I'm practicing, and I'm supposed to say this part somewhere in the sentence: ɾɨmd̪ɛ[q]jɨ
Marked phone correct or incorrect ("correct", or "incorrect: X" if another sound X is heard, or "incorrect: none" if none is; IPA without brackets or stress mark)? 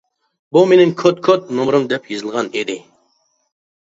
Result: incorrect: p